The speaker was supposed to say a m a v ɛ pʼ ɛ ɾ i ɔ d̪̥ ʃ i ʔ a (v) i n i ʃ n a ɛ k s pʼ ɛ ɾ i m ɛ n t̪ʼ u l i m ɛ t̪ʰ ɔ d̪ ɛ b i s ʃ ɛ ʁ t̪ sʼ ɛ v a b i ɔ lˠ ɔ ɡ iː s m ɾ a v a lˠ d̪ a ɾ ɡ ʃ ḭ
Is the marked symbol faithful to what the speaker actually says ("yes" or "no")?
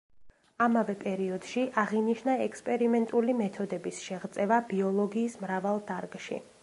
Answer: no